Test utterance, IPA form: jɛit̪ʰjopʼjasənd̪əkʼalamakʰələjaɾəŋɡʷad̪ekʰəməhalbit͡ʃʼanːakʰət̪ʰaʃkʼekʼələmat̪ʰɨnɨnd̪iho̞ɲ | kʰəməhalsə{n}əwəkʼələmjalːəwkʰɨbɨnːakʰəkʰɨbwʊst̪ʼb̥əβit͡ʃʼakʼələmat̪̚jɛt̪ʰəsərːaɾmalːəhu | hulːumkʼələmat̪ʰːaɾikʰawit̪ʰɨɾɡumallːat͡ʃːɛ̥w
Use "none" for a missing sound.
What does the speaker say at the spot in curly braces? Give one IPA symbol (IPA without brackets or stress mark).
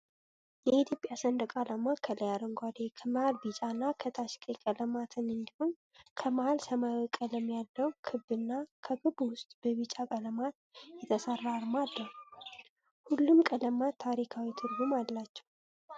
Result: m